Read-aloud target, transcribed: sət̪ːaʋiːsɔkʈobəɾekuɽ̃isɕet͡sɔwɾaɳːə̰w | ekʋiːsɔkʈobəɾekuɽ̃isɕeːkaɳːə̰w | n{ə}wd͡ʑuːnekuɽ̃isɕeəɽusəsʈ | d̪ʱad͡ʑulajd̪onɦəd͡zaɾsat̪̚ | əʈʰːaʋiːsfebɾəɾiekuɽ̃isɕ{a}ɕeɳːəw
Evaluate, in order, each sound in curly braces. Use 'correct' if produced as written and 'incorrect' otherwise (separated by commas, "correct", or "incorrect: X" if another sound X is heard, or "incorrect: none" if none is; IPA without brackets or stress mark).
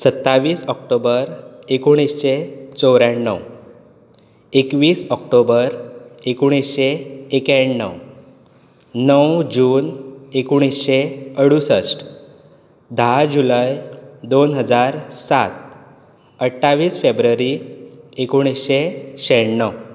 correct, incorrect: e